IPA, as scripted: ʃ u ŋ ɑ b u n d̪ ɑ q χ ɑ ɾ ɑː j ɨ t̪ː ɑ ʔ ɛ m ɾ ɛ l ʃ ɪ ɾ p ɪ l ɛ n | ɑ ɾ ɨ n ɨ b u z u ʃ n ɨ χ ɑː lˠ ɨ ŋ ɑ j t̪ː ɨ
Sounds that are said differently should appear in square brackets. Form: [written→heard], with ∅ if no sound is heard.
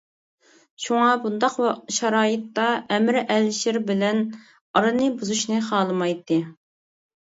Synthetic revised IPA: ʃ u ŋ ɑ b u n d̪ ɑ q [χ→ʃ] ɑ ɾ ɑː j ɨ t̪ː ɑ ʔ ɛ m ɾ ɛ l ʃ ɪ ɾ [p→b] ɪ l ɛ n | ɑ ɾ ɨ n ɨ b u z u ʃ n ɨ χ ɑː lˠ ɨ [ŋ→m] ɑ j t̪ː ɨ